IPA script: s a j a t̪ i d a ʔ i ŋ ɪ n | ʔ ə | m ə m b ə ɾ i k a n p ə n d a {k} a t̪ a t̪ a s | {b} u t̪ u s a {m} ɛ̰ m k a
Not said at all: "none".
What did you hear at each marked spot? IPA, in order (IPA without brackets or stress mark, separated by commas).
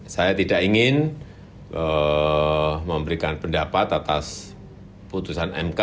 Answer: p, p, n